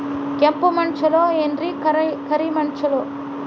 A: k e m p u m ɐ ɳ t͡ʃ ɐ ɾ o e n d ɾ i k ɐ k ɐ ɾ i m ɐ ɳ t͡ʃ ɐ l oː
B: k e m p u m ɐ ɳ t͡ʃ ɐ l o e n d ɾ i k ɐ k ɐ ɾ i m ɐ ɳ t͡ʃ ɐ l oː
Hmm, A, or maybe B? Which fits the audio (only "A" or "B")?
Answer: B